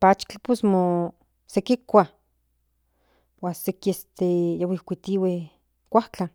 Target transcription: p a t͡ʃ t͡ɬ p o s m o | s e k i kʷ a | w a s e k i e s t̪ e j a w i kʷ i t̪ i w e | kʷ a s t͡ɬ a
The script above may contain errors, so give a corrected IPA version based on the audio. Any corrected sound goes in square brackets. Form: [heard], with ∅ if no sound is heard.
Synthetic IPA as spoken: p a t͡ʃ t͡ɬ p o s m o | s e k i kʷ a | w a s e k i e s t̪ e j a w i kʷ i t̪ i w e | kʷ a [h] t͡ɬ a

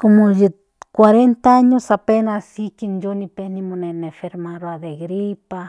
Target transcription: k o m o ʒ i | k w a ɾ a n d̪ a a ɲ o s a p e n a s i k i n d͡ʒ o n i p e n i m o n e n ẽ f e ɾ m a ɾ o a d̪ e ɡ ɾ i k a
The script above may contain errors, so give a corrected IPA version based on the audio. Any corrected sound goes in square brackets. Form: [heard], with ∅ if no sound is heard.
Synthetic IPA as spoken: k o m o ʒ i | k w a ɾ [e] n [t̪] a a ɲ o s a p e n a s i k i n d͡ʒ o n i p e n i m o n e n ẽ f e ɾ m a ɾ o a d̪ e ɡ ɾ i [p] a

